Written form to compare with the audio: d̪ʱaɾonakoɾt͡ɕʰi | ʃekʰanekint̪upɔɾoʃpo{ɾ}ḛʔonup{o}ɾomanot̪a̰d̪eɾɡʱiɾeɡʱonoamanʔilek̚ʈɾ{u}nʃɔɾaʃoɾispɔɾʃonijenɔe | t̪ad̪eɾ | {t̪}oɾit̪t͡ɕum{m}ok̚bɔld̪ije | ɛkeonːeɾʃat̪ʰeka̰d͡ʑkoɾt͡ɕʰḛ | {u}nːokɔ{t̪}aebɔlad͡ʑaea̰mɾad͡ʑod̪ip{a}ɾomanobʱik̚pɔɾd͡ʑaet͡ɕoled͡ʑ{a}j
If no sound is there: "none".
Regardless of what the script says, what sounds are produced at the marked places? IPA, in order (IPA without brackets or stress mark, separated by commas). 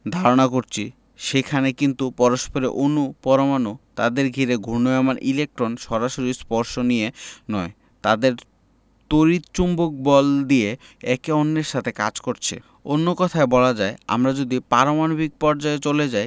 ɾ, ɔ, o, t̪, b, o, t̪ʰ, a, a